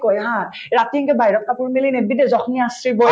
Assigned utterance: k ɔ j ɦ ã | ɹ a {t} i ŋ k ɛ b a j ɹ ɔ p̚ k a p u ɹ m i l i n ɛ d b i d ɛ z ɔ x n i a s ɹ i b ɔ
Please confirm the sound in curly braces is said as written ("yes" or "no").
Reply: yes